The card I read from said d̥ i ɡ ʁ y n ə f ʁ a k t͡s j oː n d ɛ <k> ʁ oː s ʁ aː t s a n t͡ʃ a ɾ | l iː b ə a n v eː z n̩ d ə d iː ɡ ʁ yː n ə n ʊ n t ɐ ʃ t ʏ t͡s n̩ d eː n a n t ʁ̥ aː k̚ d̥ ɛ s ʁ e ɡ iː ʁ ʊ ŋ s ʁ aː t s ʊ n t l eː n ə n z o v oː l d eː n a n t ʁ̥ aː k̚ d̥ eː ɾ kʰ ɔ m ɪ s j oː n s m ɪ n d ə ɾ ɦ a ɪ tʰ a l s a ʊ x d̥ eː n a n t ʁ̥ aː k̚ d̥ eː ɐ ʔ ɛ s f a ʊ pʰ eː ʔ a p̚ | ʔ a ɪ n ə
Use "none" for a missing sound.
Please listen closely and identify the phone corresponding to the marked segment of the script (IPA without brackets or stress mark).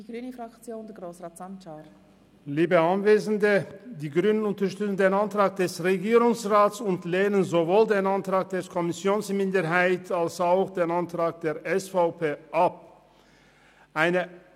ɡ